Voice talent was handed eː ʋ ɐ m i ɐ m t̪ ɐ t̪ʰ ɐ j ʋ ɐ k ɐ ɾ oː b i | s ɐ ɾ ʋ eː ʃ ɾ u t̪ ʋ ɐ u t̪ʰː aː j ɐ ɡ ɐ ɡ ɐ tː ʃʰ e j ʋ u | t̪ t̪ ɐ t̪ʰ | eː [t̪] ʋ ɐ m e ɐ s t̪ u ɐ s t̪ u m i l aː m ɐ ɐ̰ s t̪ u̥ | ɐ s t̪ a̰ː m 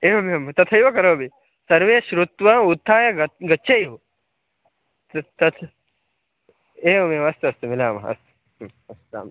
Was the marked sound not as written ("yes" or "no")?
yes